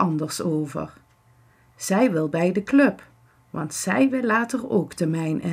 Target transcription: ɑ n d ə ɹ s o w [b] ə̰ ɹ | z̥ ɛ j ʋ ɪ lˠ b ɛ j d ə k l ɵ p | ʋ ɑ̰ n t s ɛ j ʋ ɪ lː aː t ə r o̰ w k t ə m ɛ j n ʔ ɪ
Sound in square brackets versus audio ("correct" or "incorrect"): incorrect